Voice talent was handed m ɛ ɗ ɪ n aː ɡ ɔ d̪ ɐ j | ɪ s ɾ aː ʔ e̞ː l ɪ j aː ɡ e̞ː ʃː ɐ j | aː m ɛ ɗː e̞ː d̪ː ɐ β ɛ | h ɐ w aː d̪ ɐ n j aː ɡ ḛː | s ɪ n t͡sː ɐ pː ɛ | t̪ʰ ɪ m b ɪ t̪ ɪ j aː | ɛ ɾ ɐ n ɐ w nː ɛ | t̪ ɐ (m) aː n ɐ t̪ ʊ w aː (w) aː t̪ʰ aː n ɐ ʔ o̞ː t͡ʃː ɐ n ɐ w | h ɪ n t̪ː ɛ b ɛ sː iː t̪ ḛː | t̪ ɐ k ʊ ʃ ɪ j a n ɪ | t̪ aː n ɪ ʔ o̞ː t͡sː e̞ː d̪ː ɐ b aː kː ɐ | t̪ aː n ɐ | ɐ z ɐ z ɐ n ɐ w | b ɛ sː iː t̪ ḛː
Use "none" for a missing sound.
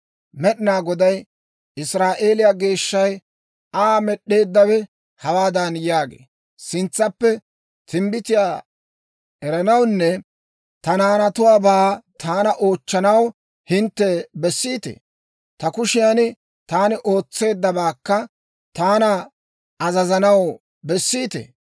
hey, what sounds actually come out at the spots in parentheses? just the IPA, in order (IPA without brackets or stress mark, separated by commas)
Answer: n, b